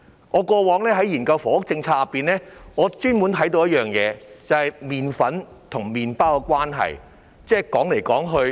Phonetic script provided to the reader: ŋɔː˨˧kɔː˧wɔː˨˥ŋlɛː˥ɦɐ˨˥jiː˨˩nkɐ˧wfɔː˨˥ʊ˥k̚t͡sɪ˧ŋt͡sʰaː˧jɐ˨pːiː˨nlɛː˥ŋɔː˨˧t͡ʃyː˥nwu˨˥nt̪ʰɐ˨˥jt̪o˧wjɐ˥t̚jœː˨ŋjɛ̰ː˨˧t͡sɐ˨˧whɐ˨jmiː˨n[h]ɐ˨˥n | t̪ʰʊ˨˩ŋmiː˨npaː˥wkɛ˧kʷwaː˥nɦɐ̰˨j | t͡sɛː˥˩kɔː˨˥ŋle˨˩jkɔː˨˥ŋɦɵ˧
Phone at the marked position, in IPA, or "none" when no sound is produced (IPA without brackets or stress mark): f